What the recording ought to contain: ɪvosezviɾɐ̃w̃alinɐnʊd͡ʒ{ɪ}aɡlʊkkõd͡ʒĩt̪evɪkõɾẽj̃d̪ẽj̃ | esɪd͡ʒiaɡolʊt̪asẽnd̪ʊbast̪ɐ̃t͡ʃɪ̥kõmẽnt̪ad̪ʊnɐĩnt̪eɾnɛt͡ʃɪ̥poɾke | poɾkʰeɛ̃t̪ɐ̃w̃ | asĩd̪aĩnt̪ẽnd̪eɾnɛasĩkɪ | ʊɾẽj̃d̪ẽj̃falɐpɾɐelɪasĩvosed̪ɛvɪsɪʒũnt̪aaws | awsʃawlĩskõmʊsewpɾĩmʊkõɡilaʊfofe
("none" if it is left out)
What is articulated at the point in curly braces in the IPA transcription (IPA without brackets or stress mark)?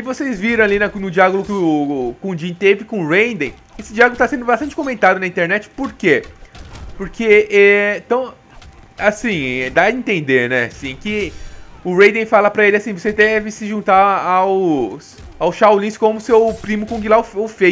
i